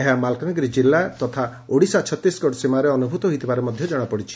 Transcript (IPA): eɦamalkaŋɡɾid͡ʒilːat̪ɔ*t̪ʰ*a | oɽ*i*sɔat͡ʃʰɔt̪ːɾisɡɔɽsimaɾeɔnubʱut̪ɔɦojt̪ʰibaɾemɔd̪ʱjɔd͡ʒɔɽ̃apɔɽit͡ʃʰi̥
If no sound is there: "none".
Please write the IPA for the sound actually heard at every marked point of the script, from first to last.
t̪ʰ, i

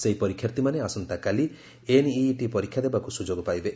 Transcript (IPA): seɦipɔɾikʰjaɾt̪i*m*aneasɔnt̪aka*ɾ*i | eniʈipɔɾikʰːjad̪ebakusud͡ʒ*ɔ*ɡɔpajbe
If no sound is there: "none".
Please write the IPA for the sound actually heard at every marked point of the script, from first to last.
m, l, o

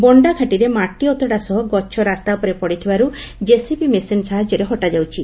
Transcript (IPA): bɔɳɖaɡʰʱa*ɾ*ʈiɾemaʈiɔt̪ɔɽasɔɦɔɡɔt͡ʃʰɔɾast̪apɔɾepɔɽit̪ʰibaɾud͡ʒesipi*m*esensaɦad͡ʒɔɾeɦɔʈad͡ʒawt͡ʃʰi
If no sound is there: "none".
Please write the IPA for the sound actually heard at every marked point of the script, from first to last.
none, m

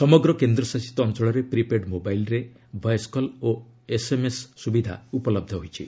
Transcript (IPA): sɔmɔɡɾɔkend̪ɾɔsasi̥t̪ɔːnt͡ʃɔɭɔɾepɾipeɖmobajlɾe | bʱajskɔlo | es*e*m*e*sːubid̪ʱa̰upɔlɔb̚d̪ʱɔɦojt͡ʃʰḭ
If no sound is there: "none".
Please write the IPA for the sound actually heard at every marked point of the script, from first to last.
e, e

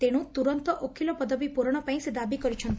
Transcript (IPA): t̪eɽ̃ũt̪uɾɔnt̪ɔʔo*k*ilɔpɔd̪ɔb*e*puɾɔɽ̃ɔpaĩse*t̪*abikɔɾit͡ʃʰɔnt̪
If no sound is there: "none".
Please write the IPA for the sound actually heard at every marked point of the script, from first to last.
kʰ, i, d̪

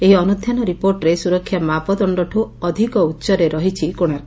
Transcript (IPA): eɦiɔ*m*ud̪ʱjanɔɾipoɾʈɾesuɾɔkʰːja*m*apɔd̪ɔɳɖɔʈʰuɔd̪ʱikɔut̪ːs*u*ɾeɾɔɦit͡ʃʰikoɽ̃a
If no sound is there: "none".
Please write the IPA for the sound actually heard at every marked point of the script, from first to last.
n, m, ɔ

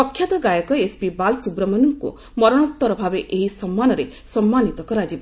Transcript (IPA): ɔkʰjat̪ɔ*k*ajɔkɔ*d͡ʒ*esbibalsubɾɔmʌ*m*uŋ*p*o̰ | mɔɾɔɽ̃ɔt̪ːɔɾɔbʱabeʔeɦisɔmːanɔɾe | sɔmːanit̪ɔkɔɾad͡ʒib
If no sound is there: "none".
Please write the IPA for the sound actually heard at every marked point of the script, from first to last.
ɡ, none, n, k

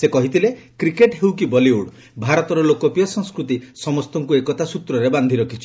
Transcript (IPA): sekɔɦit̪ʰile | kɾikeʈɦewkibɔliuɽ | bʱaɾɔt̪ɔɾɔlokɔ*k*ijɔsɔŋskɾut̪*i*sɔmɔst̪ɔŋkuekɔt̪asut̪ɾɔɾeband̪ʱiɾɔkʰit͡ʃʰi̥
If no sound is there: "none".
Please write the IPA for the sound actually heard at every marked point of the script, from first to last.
p, i

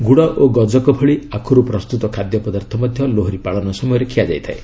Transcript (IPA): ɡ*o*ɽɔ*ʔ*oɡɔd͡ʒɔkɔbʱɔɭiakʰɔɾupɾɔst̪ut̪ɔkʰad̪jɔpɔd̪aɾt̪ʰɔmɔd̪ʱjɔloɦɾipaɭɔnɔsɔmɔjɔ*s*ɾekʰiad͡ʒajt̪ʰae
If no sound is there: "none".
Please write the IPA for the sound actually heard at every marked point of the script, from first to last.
u, ʔ, none

